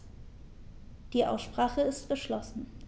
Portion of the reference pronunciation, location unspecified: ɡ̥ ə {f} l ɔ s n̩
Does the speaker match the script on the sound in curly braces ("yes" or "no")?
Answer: no